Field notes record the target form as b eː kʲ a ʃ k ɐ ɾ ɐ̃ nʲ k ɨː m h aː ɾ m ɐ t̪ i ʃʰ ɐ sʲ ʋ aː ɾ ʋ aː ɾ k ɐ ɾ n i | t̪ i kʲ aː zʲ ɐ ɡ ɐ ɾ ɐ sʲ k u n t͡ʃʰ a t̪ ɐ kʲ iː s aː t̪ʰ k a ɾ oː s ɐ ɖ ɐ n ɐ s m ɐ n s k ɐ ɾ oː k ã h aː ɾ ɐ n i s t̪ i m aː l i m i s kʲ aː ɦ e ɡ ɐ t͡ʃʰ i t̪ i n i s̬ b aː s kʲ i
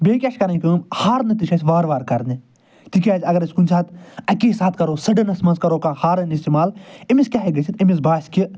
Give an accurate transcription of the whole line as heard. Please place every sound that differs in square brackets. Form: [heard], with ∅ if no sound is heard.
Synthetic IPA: b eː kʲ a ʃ k ɐ ɾ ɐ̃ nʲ k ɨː m h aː ɾ [n] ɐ t̪ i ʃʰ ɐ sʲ ʋ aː ɾ ʋ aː ɾ k ɐ ɾ n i | t̪ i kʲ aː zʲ ɐ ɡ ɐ ɾ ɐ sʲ k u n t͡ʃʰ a t̪ ɐ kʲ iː s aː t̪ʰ k [ɐ] ɾ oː s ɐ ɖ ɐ n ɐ s m ɐ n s k ɐ ɾ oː k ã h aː ɾ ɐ n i s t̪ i m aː l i m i s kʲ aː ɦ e ɡ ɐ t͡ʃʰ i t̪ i [m] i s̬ b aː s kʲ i